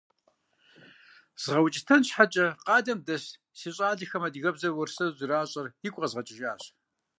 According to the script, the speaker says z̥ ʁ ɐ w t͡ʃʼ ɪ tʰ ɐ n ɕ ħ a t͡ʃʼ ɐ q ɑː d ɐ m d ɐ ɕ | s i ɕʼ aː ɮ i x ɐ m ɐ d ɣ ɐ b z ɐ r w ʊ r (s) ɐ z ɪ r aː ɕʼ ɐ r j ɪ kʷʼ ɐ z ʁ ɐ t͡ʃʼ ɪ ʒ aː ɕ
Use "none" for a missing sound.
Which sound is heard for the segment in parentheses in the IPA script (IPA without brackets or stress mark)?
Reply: s